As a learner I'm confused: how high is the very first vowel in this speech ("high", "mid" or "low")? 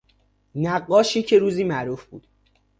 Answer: low